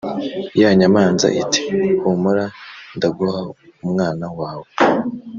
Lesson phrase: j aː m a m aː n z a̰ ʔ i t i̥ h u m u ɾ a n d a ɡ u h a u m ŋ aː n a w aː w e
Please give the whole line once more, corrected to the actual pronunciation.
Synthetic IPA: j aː ɲ a m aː n z a̰ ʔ i t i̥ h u m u ɾ a n d a ɡ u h a u m ŋ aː n a w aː w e